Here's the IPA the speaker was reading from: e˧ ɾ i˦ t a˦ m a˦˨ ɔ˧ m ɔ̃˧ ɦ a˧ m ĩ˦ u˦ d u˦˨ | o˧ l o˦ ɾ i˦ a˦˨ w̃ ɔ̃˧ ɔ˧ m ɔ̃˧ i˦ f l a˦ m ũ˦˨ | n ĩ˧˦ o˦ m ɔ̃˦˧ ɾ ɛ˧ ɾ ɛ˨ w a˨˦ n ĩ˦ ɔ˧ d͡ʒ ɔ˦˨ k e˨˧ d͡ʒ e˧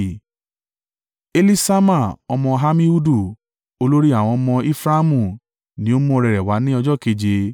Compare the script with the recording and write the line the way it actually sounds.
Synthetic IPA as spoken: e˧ l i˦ s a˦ m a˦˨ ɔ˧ m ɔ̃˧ ɦ a˧ m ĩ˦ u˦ d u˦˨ | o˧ l o˦ ɾ i˦ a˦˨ w̃ ɔ̃˧ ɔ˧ m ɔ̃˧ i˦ f ɾ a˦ m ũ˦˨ | n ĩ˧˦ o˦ m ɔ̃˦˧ ɾ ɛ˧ ɾ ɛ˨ w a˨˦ n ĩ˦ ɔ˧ d͡ʒ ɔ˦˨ k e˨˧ d͡ʒ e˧

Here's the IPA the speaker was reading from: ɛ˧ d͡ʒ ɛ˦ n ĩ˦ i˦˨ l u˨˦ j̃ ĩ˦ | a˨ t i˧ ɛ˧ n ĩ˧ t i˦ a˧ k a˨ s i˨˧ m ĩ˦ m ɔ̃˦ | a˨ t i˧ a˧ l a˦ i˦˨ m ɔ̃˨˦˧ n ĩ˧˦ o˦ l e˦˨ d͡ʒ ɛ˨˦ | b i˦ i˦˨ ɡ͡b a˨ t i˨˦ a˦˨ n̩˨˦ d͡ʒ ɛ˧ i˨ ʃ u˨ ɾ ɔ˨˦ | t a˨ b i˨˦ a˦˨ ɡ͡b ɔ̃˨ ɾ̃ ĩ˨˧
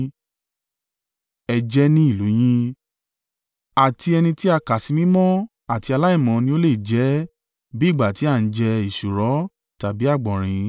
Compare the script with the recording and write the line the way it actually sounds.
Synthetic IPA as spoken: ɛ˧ d͡ʒ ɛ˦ n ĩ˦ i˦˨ l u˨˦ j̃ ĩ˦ | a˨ t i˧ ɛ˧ n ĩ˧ t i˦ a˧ k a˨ s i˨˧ m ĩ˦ m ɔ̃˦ | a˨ t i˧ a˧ l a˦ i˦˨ m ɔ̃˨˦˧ n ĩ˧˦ o˦ l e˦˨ d͡ʒ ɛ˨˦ | b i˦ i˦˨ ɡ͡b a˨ t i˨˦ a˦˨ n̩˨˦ d͡ʒ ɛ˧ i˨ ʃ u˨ ɾ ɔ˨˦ | t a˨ b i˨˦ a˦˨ ɡ͡b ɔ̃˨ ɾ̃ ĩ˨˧

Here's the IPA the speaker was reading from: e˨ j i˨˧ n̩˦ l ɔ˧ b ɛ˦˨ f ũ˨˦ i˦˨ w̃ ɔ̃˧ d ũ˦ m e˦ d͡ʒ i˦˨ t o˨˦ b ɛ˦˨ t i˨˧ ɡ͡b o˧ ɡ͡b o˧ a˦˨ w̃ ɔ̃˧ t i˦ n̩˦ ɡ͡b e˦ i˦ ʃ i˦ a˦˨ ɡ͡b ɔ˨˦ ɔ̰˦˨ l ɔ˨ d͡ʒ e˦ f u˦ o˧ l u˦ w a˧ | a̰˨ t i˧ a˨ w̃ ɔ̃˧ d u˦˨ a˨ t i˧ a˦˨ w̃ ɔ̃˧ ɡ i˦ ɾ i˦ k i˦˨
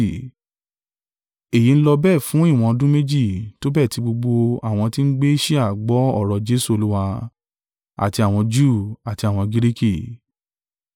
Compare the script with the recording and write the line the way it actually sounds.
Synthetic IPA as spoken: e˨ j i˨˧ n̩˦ l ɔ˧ b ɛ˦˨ f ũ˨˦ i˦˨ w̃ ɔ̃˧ d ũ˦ m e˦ d͡ʒ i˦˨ t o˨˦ b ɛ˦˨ t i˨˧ ɡ͡b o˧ ɡ͡b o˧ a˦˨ w̃ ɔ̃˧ t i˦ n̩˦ ɡ͡b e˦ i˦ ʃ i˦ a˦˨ ɡ͡b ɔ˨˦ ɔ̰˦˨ ɾ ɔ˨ d͡ʒ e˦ s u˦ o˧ l u˦ w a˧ | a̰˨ t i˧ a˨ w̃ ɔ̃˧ d͡ʒ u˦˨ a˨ t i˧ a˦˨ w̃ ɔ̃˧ ɡ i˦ ɾ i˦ k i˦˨

